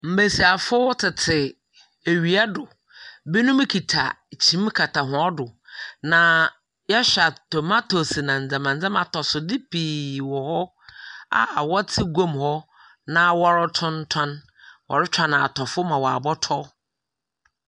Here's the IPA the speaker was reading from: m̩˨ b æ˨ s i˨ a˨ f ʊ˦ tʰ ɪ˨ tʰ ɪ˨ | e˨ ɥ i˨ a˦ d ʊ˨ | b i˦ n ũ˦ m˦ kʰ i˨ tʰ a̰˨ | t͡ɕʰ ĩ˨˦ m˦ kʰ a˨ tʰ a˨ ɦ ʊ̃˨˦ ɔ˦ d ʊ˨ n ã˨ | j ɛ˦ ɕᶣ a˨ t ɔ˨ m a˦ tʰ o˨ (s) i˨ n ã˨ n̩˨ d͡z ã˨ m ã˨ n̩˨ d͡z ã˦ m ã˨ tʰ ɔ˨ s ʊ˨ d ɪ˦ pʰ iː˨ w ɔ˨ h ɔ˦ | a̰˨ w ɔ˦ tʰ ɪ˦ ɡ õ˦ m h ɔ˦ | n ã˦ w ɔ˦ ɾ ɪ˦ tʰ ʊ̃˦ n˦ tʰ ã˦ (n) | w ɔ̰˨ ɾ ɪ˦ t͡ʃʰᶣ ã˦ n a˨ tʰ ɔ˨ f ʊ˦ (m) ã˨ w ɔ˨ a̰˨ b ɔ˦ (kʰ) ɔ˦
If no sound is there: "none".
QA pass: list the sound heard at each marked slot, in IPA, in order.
s, n, m, tʰ

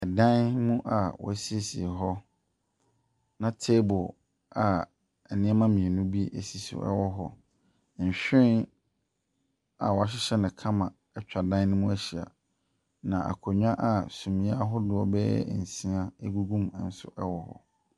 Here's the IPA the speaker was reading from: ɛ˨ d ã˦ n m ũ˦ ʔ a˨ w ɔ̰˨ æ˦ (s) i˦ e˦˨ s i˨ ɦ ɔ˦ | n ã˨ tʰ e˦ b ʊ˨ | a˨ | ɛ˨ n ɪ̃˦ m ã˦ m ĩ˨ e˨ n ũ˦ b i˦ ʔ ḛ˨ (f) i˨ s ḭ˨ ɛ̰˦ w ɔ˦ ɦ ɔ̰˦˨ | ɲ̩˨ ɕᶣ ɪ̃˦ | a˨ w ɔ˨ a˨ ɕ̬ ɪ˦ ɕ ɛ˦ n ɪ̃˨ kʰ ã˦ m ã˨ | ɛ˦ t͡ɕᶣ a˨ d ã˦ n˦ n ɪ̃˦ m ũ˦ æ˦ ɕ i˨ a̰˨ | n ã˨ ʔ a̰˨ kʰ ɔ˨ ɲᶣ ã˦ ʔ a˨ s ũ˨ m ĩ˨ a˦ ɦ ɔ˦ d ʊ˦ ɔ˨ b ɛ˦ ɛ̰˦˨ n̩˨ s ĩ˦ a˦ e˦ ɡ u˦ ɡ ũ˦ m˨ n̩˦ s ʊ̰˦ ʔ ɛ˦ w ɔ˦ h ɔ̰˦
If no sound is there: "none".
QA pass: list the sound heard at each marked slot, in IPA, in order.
s, s

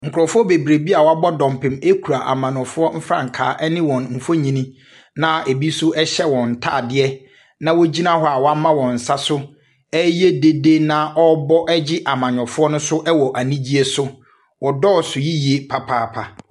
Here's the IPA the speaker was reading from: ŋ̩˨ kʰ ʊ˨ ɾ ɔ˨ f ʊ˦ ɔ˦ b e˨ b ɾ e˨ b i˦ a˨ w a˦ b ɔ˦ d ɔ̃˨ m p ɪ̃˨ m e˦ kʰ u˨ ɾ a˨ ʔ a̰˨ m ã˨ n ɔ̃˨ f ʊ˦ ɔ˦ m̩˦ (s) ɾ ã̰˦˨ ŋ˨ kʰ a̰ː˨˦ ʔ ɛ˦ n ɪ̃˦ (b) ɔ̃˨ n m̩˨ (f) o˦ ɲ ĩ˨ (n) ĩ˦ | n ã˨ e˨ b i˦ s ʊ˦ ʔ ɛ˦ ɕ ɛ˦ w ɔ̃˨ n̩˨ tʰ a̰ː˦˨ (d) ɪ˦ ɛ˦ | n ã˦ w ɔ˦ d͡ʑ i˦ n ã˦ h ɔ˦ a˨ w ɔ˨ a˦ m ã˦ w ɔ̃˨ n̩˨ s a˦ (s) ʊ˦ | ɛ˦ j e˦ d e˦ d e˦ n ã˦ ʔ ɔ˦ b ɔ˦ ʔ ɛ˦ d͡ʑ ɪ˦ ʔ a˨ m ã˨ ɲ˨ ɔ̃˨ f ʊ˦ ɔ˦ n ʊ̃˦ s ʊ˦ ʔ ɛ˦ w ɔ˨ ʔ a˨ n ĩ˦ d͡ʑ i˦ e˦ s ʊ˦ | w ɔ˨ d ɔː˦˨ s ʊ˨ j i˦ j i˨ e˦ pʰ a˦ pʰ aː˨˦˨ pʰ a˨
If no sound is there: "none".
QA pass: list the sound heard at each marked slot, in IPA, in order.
f, w, f, n, d, s

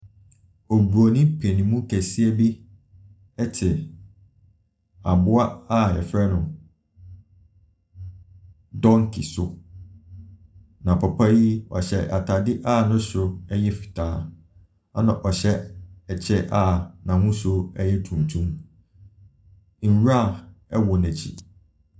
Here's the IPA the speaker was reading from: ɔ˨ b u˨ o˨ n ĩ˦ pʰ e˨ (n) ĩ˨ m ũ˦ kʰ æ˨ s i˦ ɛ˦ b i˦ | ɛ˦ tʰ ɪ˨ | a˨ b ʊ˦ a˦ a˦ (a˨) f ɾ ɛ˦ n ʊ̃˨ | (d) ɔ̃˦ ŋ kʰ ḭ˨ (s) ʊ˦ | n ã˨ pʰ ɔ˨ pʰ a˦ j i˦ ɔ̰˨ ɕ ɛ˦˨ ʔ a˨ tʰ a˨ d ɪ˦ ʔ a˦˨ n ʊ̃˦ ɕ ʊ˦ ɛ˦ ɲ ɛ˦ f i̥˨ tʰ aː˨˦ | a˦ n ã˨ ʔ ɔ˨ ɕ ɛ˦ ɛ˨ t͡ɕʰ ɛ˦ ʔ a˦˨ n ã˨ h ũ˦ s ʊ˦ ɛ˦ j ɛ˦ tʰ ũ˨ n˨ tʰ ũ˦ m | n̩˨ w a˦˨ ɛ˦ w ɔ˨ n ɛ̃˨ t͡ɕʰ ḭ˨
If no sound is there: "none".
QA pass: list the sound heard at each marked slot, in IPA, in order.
n, ɛ˨, d, s

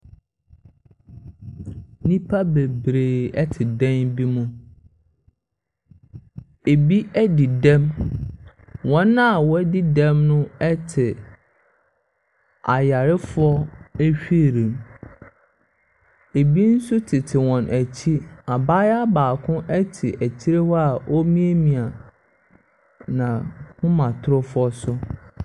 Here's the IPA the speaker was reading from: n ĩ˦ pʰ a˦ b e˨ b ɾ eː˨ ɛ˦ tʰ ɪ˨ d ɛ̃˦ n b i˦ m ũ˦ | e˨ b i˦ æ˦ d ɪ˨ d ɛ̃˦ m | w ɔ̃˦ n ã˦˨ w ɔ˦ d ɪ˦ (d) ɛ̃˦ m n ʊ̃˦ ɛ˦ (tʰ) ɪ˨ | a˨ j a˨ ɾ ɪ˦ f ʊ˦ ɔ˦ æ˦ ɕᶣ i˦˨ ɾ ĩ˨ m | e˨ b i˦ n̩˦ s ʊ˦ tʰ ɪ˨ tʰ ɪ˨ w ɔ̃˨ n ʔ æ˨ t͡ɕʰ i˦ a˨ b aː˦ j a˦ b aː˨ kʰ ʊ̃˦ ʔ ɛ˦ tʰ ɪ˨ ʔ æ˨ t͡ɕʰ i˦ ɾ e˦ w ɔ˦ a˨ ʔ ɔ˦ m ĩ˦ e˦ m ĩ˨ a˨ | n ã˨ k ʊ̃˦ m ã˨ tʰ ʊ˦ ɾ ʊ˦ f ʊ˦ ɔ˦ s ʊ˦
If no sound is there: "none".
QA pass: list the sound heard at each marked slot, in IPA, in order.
d, tʰ

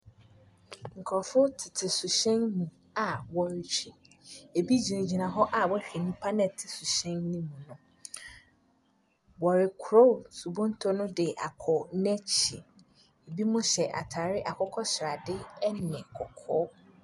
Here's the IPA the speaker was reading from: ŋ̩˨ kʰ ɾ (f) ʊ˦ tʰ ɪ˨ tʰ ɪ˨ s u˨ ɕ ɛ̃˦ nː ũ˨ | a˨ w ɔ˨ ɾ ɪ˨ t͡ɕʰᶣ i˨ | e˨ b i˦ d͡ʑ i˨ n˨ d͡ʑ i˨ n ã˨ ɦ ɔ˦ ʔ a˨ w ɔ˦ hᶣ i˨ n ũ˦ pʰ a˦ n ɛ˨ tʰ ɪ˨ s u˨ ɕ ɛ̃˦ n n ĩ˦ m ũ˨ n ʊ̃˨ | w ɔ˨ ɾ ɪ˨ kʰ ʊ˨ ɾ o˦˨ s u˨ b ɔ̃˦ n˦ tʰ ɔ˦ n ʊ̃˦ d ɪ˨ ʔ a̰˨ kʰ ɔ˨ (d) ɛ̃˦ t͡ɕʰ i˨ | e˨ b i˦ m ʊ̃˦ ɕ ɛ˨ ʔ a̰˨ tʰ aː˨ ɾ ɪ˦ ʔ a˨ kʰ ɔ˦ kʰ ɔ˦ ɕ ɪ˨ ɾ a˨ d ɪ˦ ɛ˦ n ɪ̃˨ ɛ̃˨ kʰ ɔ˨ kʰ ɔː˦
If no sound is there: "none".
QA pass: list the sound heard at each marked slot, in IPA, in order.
f, n

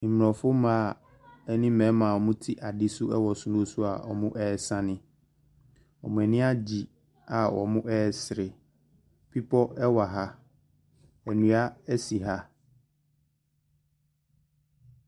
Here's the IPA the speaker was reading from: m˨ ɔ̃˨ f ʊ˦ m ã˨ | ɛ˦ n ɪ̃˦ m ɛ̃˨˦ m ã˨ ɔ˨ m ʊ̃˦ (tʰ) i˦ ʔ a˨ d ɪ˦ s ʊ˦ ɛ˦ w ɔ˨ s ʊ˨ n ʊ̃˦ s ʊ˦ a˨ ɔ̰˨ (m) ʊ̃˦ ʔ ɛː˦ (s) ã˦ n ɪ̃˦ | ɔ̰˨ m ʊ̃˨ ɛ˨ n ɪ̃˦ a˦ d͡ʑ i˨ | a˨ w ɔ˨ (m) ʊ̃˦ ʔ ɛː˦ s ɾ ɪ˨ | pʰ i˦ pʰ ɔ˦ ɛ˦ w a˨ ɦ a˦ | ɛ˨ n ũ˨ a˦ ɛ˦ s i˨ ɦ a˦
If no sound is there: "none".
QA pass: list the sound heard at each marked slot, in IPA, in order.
tʰ, m, s, m

